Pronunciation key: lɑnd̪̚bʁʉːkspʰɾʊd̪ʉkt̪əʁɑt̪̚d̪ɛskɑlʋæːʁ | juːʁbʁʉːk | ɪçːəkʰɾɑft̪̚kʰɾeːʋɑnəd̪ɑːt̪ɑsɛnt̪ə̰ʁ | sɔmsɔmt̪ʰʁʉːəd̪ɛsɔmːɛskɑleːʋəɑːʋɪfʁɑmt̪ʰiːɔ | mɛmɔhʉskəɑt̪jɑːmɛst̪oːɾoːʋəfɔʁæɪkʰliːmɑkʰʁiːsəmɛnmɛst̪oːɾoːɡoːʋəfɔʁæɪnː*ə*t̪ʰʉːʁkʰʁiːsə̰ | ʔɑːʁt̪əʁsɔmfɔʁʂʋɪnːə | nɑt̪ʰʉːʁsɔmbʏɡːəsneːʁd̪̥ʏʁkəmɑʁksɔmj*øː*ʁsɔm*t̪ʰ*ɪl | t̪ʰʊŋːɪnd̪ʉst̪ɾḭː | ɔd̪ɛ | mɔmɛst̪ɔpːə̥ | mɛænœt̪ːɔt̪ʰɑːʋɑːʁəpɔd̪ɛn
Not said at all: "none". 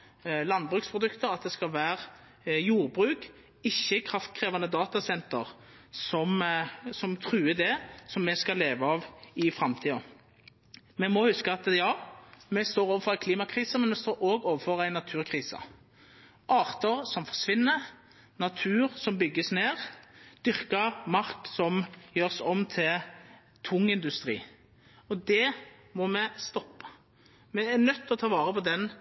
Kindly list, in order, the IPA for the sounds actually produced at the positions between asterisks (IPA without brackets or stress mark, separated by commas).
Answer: ɑ, øː, t̪ʰ